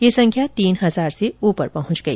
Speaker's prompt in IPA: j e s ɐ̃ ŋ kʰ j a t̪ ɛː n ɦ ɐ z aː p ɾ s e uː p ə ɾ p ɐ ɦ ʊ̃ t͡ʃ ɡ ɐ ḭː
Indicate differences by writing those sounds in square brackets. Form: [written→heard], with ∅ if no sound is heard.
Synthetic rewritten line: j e s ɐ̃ ŋ kʰ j a t̪ [ɛː→iː] n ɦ ɐ z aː [p→∅] ɾ s e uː p ə ɾ p ɐ ɦ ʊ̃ t͡ʃ ɡ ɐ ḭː